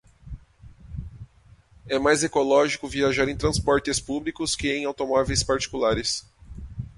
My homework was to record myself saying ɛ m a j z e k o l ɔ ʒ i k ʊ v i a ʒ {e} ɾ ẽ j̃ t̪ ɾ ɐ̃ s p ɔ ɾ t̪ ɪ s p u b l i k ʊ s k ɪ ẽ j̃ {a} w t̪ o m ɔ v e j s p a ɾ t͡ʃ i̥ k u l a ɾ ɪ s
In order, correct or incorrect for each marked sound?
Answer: incorrect, correct

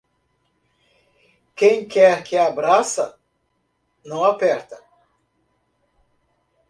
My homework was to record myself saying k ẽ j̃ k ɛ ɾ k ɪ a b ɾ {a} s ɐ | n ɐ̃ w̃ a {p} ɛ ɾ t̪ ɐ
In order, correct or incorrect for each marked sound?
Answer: correct, correct

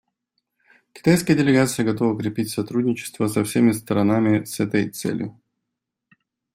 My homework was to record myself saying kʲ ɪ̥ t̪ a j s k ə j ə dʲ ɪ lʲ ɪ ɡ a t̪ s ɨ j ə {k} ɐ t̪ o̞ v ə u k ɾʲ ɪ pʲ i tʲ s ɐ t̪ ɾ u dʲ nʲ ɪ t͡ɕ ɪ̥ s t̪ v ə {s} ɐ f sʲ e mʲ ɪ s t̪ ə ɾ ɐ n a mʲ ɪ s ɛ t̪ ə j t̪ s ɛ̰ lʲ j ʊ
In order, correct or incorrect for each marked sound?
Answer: incorrect, correct

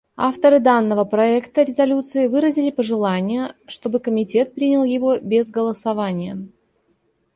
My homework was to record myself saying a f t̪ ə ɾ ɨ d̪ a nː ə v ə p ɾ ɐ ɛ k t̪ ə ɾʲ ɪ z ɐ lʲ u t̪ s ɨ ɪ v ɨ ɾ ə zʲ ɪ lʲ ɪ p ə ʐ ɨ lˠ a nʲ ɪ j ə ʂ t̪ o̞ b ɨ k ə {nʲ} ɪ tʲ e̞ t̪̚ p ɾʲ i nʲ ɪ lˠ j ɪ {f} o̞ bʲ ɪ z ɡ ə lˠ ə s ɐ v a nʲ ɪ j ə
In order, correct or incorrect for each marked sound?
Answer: incorrect, incorrect

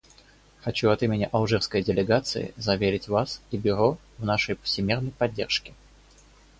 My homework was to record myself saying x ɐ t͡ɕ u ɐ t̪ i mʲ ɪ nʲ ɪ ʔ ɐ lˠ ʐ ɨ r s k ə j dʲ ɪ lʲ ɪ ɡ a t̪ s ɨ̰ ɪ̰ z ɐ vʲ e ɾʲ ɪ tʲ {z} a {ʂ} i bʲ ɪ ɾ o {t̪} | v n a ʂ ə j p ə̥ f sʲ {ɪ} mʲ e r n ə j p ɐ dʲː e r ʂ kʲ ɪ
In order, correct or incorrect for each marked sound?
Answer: incorrect, incorrect, incorrect, correct

